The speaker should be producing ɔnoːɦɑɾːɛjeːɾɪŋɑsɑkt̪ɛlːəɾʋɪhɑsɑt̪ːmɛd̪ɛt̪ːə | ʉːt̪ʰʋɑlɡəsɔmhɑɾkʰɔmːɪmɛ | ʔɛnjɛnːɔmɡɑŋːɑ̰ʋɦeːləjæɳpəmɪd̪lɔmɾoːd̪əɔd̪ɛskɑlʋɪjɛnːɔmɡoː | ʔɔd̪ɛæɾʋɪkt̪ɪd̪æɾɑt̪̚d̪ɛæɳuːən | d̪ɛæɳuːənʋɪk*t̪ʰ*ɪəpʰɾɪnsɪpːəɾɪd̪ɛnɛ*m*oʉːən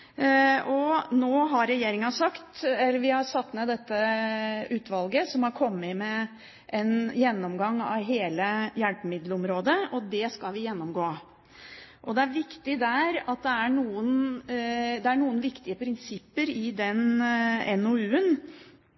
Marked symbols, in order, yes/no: no, no

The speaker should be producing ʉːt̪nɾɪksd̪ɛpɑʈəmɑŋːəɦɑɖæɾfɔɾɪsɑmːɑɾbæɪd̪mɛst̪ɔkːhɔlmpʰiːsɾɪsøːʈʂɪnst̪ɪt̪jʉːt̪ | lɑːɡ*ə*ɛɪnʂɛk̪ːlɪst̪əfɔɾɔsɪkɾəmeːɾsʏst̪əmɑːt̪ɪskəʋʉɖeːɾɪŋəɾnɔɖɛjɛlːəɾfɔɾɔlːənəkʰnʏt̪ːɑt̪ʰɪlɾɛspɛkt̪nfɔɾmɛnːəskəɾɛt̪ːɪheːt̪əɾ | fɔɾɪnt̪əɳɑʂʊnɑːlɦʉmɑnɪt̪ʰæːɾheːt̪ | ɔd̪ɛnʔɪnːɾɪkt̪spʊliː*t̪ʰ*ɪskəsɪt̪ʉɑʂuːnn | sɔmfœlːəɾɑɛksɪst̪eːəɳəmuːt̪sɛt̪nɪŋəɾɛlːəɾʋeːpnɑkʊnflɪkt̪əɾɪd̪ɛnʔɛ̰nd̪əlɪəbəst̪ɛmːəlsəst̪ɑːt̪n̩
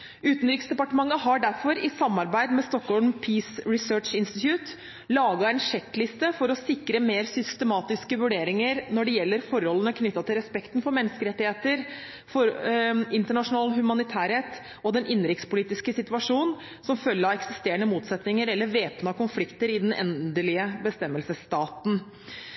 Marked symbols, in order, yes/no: no, no

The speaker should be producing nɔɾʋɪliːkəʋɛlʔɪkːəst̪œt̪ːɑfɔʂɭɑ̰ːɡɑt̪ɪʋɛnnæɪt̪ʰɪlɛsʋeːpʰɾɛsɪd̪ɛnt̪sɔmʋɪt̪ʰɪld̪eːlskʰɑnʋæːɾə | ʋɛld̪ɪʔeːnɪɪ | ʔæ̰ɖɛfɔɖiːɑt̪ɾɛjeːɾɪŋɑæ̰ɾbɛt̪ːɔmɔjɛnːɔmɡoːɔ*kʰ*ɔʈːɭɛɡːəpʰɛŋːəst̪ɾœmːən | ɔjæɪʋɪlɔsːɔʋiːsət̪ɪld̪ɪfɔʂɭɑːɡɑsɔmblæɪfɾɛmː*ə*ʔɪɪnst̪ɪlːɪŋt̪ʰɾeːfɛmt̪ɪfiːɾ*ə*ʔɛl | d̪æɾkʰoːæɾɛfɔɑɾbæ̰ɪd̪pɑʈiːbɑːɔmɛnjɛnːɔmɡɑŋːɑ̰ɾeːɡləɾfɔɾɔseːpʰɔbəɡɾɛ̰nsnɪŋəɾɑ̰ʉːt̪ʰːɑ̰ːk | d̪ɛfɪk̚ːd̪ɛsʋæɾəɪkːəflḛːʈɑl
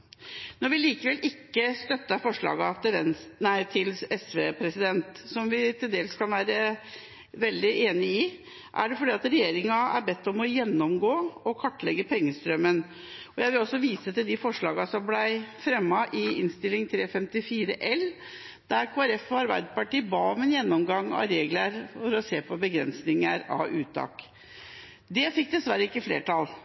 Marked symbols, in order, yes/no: yes, no, yes

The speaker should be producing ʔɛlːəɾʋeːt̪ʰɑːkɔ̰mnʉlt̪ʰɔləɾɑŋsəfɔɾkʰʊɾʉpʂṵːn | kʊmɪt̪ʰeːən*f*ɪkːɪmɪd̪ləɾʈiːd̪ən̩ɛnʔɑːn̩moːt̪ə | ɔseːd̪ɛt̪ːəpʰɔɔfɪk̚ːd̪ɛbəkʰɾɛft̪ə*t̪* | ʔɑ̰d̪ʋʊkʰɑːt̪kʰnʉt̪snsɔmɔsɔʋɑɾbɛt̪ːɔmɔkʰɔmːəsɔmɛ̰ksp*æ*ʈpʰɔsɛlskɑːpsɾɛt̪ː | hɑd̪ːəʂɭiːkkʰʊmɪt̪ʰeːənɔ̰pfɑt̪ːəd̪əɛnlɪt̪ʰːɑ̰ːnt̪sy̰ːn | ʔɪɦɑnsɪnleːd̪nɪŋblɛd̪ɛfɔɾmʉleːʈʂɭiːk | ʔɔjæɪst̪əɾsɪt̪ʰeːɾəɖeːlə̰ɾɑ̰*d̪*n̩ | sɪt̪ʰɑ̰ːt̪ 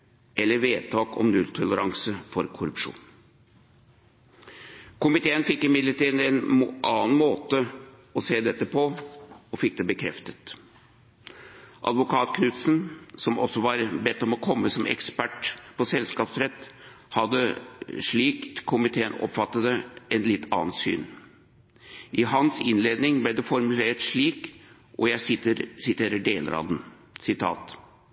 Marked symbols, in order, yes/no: yes, yes, yes, yes

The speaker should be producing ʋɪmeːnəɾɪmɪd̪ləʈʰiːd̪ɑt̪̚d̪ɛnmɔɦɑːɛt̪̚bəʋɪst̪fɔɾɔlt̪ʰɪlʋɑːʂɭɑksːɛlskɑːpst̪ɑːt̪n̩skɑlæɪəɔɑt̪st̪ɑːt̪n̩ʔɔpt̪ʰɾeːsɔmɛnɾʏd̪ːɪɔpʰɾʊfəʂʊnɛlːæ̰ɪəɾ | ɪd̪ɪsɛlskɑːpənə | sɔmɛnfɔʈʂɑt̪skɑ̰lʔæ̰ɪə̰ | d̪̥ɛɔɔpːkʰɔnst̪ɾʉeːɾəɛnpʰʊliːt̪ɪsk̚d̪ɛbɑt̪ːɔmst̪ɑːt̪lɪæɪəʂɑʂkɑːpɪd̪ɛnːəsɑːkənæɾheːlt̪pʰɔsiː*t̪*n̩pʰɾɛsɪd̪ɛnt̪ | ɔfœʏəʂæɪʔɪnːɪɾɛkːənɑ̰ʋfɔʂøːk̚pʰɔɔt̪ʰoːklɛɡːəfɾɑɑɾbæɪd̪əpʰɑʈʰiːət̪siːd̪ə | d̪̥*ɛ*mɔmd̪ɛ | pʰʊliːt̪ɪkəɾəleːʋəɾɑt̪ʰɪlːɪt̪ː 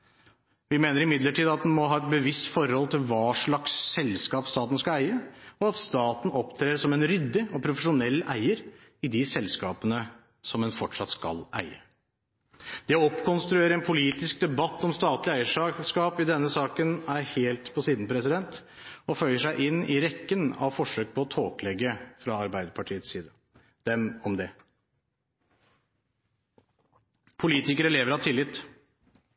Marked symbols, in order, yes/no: no, yes

